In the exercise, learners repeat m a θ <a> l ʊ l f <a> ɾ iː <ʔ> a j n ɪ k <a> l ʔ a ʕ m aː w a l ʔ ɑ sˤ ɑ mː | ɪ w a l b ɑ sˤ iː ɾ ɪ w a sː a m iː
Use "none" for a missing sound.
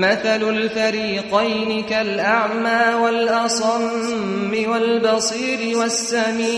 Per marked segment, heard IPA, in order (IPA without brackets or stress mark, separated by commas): a, a, q, a